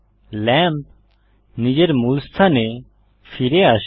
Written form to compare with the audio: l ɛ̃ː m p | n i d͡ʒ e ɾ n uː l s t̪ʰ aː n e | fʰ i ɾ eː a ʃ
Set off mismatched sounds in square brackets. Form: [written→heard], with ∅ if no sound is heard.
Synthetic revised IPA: l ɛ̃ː m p | n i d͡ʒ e ɾ [n→m] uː l s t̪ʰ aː n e | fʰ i ɾ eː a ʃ